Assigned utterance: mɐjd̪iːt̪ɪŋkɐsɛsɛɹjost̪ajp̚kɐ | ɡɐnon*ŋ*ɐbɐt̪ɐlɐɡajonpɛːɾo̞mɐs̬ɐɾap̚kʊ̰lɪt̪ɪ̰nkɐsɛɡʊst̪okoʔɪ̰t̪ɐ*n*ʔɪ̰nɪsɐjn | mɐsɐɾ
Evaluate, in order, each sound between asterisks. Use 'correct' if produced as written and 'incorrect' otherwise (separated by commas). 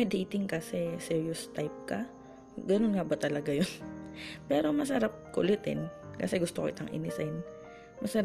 correct, incorrect